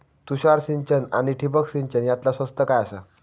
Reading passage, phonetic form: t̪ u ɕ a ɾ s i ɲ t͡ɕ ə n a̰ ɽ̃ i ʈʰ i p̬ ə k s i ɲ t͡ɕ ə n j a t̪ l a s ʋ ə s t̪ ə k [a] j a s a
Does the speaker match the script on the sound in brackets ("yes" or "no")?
yes